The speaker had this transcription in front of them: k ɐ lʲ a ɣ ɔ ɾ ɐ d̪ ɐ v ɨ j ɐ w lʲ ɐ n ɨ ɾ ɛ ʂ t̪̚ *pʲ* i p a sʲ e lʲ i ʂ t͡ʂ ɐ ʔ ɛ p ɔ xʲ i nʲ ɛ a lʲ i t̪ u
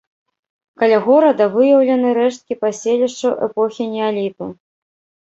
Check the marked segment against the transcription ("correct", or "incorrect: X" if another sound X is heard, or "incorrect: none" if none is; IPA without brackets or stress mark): incorrect: kʲ